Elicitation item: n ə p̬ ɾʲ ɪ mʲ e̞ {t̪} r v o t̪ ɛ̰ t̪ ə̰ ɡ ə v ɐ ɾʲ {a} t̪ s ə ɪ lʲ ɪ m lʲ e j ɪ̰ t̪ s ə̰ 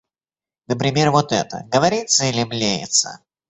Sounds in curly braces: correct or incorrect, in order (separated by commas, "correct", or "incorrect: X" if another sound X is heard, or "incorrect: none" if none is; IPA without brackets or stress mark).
incorrect: none, incorrect: i